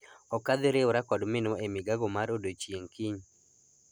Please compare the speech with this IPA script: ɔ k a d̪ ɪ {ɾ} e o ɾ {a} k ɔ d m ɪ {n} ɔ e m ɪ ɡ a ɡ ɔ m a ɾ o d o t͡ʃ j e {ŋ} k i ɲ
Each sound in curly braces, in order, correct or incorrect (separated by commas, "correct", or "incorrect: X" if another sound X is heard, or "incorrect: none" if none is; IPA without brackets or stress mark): correct, correct, correct, correct